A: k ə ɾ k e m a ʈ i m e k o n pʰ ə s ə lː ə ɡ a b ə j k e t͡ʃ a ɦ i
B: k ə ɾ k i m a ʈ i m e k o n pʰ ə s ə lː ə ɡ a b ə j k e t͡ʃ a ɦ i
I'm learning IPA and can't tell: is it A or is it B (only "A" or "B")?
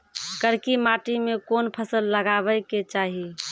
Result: B